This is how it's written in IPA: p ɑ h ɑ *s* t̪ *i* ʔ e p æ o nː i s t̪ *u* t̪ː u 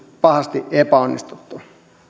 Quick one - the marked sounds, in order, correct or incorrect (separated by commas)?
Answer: correct, correct, correct